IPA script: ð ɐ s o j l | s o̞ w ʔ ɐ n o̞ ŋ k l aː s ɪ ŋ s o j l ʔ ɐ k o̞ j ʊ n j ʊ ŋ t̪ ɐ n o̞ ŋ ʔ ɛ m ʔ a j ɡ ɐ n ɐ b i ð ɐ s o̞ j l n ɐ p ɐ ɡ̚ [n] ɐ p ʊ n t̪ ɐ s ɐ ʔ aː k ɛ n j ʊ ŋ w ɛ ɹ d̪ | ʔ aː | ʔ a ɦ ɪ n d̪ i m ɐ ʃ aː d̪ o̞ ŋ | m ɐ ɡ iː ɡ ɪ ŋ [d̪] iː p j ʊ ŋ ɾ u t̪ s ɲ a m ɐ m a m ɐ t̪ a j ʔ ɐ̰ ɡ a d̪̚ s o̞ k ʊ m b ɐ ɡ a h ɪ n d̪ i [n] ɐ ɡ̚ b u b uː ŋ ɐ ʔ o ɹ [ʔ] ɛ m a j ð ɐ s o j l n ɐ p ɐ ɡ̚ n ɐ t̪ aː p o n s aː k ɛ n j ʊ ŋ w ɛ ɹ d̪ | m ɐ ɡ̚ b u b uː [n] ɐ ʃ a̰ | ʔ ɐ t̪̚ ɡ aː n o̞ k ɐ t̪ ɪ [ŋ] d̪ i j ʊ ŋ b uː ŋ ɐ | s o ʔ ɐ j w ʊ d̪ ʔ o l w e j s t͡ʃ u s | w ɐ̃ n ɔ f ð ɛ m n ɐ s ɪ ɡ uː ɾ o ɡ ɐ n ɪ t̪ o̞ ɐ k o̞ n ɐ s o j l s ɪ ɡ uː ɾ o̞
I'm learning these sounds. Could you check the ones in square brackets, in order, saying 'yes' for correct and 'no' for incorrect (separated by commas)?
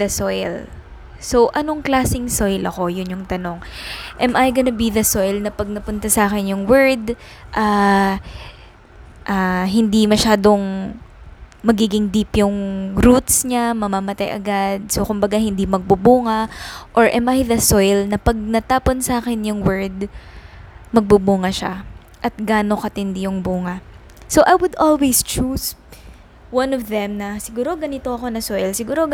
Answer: yes, yes, no, yes, no, no